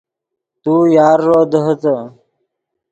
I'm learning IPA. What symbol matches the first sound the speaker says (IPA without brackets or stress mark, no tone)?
t̪